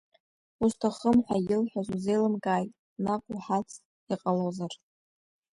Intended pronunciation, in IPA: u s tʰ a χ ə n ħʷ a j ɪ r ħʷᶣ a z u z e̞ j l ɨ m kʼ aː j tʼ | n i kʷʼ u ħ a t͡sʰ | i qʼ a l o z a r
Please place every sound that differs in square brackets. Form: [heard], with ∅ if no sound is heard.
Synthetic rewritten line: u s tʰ a χ ə [m] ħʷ a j ɪ [l] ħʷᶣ a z u z e̞ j l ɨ m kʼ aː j tʼ | n [a] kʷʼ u ħ a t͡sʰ | i qʼ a l o z a r

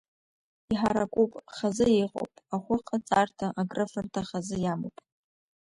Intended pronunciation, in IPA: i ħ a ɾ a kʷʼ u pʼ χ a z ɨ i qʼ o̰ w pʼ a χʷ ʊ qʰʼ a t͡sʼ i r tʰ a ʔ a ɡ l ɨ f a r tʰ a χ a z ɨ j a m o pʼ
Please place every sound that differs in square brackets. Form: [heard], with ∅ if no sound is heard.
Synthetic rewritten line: i ħ a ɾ a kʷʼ u pʼ χ a z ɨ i qʼ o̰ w pʼ a χʷ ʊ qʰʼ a t͡sʼ [a] r tʰ a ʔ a ɡ [r] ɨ f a r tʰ a χ a z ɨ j a m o pʼ

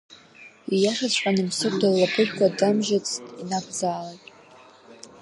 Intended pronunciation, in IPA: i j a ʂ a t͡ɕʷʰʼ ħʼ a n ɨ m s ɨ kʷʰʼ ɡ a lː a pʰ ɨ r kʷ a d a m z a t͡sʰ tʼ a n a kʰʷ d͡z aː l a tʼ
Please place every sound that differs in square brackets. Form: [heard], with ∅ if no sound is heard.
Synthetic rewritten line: i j a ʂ a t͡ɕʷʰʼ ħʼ a n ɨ m s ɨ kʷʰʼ [d] a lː a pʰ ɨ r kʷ a d a m [ʒ] a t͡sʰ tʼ [i] n a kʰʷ d͡z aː l a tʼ

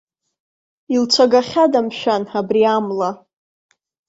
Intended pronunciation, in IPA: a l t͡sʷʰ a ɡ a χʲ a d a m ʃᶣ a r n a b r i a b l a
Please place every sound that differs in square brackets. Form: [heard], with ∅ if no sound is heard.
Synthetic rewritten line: [i] l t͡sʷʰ a ɡ a χʲ a d a m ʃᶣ a [∅] n a b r i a [m] l a

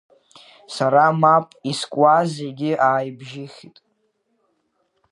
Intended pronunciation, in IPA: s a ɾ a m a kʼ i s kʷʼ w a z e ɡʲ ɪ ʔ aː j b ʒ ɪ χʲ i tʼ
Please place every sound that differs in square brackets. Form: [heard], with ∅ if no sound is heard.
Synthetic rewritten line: s a ɾ a m a [pʼ] i s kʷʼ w a z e ɡʲ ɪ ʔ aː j b ʒ ɪ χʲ i tʼ

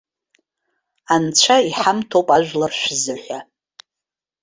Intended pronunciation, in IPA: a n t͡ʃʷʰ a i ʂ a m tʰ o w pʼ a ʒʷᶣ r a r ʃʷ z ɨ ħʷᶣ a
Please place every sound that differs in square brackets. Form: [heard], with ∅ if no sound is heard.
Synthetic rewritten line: a n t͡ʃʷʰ a i [ħ] a m tʰ o w pʼ a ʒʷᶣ [l] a r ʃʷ z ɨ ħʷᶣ a

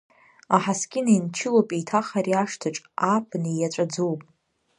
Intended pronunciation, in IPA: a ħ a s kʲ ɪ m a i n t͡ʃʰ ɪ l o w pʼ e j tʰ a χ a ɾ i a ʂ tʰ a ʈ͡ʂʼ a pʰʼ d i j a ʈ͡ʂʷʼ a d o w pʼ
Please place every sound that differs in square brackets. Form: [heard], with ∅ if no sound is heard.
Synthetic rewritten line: a ħ a s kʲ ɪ [n] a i n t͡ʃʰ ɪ l o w pʼ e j tʰ a χ a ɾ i a ʂ tʰ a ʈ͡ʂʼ a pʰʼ [n] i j a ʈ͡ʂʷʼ a [d͡z] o w pʼ

